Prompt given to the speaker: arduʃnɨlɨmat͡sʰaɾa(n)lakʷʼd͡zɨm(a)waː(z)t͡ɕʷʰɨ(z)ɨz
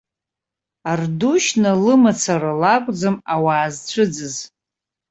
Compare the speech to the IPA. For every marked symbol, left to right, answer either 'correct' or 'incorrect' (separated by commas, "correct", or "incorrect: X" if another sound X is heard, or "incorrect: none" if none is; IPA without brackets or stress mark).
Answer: incorrect: none, correct, correct, incorrect: d͡z